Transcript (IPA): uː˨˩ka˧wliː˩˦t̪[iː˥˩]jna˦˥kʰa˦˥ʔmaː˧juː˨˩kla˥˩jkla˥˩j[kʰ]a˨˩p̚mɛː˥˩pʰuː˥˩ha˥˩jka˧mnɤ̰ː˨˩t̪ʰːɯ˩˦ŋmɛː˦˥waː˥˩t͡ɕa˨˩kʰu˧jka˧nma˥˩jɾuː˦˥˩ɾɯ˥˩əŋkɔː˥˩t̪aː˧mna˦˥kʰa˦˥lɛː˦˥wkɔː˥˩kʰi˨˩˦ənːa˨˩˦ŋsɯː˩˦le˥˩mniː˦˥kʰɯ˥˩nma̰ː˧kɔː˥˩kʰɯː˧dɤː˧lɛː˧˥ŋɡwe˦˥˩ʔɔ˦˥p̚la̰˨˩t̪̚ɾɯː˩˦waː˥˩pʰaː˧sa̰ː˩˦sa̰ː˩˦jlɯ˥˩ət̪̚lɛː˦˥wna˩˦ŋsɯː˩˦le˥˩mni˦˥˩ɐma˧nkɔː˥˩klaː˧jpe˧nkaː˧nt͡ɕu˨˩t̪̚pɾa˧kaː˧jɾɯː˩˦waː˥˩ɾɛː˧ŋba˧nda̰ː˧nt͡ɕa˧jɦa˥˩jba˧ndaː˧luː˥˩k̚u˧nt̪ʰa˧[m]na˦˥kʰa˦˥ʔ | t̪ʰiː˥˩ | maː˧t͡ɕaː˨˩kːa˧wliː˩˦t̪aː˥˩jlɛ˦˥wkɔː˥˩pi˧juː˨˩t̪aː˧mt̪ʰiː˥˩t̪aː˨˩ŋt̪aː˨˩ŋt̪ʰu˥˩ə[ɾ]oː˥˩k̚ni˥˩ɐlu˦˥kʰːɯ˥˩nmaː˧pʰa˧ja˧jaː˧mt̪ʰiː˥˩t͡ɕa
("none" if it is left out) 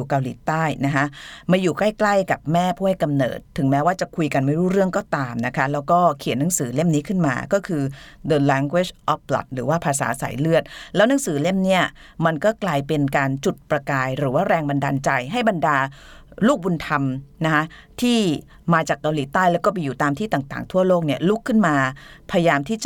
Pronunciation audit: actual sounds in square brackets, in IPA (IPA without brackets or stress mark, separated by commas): aː˥˩, k, m, l